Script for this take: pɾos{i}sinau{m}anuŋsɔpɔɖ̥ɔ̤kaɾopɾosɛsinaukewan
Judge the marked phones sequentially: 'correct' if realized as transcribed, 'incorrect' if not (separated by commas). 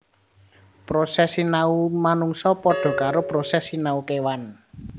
incorrect, correct